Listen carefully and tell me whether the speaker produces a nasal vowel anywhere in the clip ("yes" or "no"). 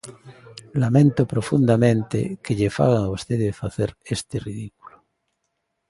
yes